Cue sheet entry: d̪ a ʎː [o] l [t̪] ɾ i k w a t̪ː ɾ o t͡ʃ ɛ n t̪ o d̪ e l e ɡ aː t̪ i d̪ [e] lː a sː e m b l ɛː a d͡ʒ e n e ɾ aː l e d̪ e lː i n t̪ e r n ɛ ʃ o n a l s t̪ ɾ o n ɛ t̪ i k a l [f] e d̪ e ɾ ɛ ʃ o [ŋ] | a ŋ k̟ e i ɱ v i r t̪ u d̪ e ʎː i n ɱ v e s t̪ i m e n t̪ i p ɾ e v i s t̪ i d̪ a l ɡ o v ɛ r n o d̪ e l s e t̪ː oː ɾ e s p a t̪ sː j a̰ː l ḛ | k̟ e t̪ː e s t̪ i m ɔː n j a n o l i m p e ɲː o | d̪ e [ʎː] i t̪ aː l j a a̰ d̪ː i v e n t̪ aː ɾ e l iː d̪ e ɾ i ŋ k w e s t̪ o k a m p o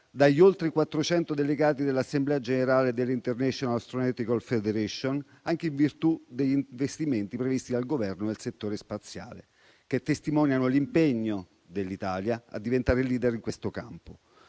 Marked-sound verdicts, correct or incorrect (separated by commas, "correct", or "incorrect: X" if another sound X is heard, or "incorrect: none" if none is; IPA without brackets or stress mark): correct, correct, correct, correct, incorrect: n, incorrect: lː